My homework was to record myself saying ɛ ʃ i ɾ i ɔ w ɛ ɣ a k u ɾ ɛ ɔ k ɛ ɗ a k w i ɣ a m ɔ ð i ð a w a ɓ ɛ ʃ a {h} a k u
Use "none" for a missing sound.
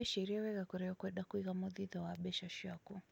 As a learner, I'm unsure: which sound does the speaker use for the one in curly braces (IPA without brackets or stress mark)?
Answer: ʃ